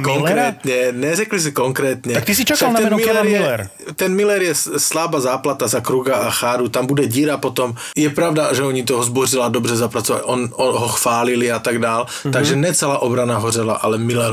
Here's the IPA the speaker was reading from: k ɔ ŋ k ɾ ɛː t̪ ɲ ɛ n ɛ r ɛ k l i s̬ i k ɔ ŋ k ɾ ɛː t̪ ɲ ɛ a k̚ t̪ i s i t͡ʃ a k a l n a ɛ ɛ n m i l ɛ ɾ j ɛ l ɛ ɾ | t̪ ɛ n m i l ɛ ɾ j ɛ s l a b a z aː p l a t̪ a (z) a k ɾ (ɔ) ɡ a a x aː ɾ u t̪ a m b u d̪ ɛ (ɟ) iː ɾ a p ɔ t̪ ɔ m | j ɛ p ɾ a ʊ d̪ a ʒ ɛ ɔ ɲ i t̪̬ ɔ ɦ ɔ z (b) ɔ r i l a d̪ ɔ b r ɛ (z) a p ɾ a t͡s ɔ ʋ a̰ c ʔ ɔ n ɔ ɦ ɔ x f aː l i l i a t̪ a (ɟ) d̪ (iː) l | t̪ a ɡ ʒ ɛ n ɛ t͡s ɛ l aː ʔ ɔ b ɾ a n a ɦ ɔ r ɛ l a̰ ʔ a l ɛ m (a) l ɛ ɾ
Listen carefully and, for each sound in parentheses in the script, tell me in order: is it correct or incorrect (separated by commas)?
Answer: correct, incorrect, correct, correct, correct, incorrect, incorrect, incorrect